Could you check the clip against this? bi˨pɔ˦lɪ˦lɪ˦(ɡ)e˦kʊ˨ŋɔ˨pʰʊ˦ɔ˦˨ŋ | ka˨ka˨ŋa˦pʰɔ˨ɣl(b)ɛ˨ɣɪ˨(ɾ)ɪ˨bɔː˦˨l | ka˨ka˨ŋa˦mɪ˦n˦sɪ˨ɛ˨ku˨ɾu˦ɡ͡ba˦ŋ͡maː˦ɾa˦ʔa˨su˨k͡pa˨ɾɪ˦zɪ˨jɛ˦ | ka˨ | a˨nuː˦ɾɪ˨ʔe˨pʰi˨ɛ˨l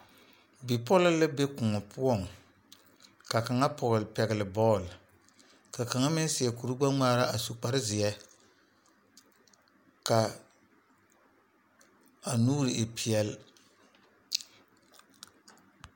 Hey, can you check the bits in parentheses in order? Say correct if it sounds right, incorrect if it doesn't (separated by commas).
incorrect, incorrect, incorrect